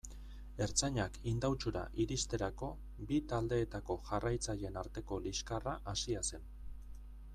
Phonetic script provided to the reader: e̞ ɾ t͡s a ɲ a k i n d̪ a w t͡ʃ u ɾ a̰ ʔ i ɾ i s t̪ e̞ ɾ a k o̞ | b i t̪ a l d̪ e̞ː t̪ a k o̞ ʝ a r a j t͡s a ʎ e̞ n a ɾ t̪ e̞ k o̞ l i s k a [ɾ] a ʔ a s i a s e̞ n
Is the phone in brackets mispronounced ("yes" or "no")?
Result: yes